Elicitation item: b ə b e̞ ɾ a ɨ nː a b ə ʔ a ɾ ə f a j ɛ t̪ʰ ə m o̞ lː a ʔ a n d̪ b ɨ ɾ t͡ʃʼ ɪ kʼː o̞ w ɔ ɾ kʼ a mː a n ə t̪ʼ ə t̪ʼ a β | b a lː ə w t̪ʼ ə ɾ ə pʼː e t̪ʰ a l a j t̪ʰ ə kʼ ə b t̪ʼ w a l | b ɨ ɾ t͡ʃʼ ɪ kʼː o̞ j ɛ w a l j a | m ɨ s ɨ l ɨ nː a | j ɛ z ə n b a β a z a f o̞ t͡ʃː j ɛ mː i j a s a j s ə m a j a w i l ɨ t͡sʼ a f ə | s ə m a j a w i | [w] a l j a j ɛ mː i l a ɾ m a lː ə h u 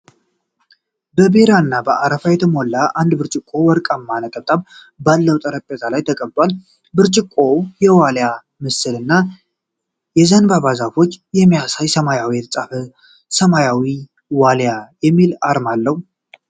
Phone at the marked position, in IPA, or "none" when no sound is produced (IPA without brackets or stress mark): w